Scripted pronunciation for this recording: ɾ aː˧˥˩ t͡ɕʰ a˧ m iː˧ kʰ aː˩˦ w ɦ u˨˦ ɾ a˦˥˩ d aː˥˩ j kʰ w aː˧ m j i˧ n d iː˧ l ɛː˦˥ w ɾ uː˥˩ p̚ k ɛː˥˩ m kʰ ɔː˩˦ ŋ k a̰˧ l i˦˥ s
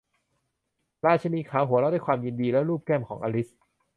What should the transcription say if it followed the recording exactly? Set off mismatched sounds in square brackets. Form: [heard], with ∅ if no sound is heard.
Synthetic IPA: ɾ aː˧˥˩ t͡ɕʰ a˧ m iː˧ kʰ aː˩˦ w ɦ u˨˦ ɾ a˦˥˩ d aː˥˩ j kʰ w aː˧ m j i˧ n d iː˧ l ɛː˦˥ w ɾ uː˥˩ p̚ k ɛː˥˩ m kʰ ɔː˩˦ ŋ [ʔ] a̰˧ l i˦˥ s

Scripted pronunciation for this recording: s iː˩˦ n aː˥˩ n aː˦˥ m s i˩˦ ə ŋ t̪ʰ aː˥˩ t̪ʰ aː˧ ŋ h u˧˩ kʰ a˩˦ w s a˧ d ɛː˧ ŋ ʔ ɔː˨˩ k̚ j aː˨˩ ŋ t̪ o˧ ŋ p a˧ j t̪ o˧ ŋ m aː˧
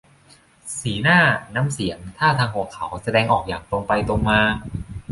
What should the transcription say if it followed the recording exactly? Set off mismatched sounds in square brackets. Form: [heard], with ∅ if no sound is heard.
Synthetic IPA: s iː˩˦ n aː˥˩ n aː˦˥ m s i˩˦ ə ŋ t̪ʰ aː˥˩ t̪ʰ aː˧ ŋ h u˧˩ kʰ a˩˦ w s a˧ d ɛː˧ ŋ ʔ ɔː˨˩ k̚ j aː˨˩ ŋ t̪ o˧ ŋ p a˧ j t̪ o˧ ŋ m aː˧

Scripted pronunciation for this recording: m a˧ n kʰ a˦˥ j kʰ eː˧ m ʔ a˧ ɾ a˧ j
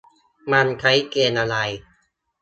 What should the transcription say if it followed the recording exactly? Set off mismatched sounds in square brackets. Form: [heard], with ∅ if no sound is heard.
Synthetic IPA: m a˧ n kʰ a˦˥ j [k] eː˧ [n] ʔ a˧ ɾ a˧ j

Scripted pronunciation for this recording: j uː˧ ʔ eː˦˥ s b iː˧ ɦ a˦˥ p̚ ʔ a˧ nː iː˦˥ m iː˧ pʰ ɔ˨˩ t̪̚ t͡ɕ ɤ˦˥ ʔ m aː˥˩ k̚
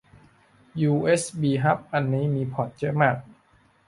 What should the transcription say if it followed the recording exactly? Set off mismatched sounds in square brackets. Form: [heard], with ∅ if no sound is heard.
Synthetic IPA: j uː˧ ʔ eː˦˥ s b iː˧ ɦ a˦˥ p̚ ʔ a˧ nː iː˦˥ m iː˧ pʰ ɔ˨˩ t̪̚ t͡ɕ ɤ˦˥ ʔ m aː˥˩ k̚

